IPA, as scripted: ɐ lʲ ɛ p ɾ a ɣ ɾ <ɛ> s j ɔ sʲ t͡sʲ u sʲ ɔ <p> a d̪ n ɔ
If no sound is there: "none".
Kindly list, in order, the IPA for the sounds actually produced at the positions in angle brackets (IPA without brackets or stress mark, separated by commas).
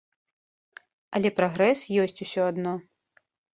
ɛ, none